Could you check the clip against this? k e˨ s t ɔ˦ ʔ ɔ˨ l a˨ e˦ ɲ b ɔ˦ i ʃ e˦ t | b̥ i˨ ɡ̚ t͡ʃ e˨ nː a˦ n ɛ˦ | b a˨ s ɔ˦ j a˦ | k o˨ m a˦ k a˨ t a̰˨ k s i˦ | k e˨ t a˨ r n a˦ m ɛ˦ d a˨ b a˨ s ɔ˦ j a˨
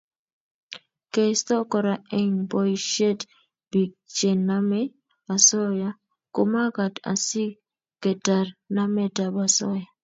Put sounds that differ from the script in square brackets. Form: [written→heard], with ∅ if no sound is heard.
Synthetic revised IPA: k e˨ s t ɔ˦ [ʔ→k] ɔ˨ [l→ɾ] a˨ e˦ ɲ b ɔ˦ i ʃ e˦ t | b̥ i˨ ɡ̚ t͡ʃ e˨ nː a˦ [n→m] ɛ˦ | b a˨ s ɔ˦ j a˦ | k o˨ m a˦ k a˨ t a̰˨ [k→∅] s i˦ | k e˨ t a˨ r n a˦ m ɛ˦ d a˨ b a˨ s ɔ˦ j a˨